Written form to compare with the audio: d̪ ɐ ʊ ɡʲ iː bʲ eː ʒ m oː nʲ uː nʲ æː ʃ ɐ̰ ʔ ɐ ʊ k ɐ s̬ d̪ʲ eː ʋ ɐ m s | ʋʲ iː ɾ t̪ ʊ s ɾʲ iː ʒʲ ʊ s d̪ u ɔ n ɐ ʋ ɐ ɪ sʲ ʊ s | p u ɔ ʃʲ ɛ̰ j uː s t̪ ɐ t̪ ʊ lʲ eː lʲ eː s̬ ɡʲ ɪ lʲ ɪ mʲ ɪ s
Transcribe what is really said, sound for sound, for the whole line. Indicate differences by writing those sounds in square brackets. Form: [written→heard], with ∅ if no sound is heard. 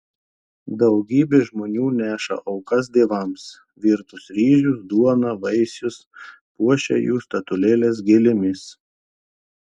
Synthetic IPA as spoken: d̪ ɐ ʊ ɡʲ iː bʲ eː ʒ m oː nʲ uː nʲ æː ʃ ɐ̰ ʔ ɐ ʊ k ɐ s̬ d̪ʲ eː ʋ ɐ m s | ʋʲ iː ɾ t̪ ʊ s ɾʲ iː ʒʲ ʊ s d̪ u ɔ n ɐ ʋ ɐ ɪ sʲ ʊ s | p u ɔ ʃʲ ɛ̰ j uː s t̪ ɐ t̪ ʊ lʲ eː lʲ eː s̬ ɡʲ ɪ lʲ ɪ mʲ ɪ s